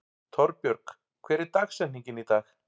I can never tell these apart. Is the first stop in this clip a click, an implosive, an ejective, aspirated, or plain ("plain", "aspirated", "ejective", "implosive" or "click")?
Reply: aspirated